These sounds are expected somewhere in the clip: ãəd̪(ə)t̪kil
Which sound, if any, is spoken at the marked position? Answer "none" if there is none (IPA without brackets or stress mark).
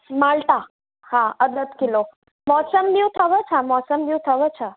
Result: ə